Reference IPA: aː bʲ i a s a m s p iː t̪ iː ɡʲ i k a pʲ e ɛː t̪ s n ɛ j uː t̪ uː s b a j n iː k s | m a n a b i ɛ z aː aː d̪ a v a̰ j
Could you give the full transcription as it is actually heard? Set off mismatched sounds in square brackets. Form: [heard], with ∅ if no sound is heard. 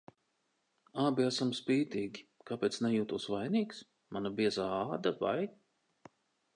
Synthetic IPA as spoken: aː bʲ i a s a m s p iː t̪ iː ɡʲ i k a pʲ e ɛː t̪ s n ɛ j uː t̪ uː s [v] a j n iː k s | m a n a b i ɛ z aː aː d̪ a v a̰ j